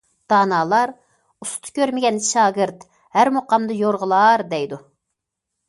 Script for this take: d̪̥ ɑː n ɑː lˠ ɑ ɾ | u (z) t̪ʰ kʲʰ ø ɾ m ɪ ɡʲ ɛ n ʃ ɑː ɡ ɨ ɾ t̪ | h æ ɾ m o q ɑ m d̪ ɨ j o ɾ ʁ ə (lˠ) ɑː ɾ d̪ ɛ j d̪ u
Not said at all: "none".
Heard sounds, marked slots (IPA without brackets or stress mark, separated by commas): s, lˠ